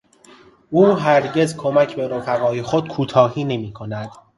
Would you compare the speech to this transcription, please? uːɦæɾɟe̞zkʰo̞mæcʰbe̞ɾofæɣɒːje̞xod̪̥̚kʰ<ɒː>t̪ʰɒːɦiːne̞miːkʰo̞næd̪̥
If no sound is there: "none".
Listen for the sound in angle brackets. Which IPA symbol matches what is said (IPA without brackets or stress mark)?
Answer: uː